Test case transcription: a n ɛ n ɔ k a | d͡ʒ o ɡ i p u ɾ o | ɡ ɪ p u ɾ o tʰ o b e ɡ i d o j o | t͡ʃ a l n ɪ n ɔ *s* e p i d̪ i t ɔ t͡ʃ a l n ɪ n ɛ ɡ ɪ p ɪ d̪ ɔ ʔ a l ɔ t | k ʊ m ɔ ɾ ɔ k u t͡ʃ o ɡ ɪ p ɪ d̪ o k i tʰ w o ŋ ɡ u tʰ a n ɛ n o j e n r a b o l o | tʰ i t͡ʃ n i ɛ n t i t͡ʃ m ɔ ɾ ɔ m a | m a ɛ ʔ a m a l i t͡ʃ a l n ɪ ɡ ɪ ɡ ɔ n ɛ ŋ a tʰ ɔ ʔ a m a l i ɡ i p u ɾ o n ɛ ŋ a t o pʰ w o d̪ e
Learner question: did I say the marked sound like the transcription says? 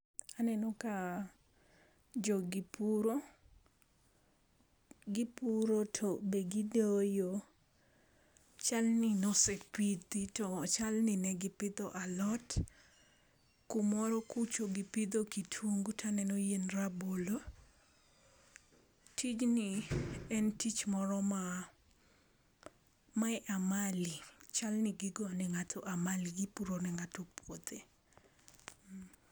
yes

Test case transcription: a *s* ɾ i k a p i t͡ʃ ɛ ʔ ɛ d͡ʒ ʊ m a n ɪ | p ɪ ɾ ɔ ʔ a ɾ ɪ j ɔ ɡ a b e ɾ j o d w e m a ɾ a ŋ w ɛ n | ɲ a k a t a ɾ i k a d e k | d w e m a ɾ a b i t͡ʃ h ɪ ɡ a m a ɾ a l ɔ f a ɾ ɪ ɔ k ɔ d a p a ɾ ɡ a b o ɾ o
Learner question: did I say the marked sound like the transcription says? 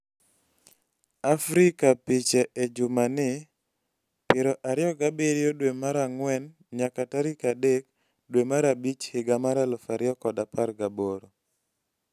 no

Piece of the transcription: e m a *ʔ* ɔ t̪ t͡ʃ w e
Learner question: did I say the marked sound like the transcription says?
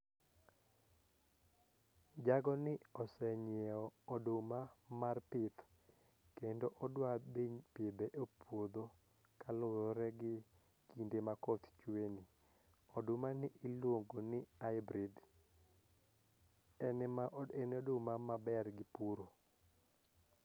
no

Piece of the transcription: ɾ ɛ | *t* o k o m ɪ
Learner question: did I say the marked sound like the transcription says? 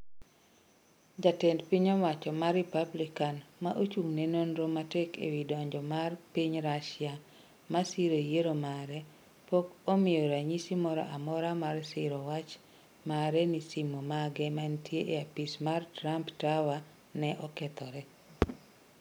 no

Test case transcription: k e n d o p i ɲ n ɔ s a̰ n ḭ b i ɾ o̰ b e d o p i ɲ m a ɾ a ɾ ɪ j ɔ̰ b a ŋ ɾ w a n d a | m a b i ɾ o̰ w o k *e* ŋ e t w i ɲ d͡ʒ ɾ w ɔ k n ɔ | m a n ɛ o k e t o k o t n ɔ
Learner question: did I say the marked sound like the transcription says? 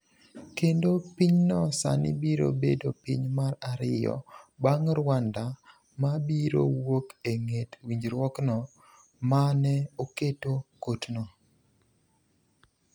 yes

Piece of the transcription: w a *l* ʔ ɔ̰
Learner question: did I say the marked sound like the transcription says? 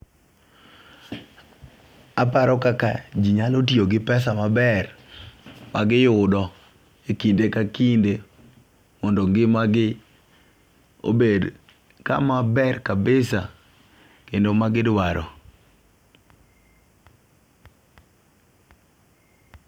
no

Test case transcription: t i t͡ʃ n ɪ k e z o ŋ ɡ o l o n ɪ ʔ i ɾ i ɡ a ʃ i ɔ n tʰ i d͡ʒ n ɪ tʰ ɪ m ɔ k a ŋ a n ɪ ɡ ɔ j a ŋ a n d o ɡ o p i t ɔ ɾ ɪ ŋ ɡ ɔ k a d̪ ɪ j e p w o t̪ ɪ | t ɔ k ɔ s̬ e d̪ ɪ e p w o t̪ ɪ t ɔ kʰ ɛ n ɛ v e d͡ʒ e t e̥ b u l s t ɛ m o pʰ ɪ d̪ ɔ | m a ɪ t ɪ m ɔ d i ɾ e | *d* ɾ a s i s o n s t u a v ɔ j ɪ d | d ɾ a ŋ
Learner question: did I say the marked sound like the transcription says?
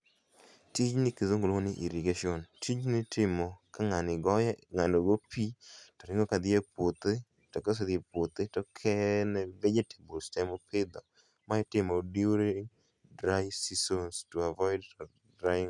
yes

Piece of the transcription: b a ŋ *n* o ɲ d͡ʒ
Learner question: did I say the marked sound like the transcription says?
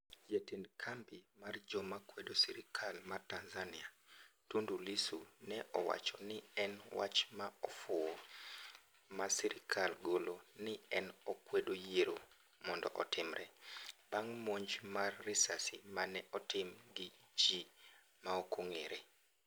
no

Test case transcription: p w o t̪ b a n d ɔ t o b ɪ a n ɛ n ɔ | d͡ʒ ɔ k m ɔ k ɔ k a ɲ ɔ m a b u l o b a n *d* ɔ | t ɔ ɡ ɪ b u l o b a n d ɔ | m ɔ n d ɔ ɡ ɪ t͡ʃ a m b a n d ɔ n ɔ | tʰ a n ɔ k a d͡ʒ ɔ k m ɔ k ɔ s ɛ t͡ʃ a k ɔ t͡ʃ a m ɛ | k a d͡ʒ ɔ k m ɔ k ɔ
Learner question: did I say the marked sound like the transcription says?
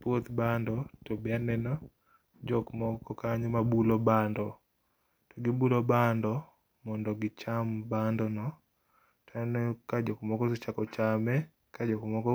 yes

